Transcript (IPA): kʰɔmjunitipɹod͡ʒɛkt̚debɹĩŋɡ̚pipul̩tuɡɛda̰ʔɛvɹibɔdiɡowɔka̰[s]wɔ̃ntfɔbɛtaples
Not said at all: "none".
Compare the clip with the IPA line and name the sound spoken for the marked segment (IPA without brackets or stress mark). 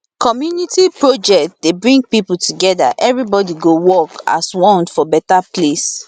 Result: s